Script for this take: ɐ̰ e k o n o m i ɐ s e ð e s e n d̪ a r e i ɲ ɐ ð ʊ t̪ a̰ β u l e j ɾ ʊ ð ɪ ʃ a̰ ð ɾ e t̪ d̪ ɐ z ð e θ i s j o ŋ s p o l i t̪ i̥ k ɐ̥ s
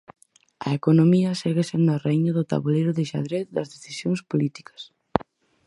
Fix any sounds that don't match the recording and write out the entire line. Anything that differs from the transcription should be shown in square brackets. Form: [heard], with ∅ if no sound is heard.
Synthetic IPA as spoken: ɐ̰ e k o n o m i ɐ s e [ɣ] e s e n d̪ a r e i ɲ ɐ ð ʊ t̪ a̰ β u l e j ɾ ʊ ð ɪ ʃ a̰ ð ɾ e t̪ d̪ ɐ z ð e θ i s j o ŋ s p o l i t̪ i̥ k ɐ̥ s